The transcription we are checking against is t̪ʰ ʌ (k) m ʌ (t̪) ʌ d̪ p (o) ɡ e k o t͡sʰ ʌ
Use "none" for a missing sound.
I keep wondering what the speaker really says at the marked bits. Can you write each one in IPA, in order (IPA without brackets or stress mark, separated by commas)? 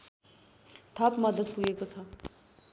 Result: p, d̪, u